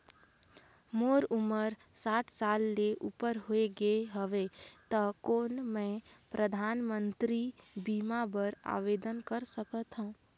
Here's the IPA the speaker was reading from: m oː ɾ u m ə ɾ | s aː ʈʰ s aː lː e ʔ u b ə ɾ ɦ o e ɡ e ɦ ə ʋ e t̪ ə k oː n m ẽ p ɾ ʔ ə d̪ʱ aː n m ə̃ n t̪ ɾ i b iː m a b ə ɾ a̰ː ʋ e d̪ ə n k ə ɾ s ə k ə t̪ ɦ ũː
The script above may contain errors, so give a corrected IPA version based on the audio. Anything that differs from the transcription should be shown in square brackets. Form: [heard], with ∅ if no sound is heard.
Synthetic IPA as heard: m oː ɾ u m ə ɾ | s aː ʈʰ s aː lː e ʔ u [p] ə ɾ ɦ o e ɡ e ɦ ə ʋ e t̪ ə k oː n m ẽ p ɾ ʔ ə d̪ʱ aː n m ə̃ n t̪ ɾ i b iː m a b ə ɾ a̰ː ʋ e d̪ ə n k ə ɾ s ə k ə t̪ ɦ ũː